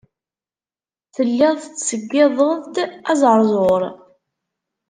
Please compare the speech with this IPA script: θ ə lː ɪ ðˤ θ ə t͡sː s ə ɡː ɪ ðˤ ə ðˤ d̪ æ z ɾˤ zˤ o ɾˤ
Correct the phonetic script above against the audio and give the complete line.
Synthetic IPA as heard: θ ə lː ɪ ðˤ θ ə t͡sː s ə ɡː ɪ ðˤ ə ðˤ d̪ æ z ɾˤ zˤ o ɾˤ